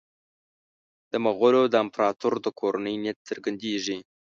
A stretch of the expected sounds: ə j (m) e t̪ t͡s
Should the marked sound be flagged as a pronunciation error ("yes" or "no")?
yes